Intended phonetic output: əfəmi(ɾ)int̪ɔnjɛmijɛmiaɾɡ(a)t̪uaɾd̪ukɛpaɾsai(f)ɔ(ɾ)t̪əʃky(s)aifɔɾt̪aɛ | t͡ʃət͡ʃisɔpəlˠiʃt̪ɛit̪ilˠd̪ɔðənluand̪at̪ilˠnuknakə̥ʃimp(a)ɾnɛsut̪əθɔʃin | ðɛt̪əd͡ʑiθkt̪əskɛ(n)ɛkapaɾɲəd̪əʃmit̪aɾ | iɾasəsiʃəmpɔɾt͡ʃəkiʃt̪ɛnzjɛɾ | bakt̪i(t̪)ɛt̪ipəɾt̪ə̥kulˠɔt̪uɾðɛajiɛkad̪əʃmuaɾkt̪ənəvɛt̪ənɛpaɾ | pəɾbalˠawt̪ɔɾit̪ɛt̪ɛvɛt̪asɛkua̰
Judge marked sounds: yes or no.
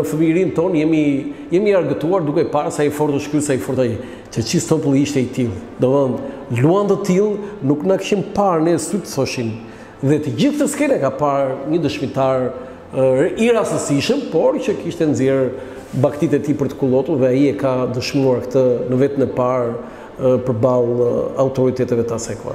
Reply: yes, no, yes, yes, yes, yes, yes, yes

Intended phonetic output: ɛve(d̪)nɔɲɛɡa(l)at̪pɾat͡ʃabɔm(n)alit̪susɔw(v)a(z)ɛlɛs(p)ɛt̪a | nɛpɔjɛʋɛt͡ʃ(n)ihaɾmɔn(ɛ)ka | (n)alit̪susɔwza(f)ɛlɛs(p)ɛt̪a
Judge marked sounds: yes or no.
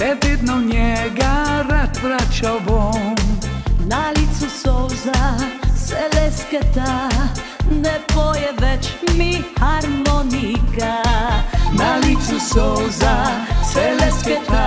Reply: yes, no, yes, no, no, no, no, no, yes, no, no

